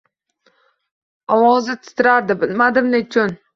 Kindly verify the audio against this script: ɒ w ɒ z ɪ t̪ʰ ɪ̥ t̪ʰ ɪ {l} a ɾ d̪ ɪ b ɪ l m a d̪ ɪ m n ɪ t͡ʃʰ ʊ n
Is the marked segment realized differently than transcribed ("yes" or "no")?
yes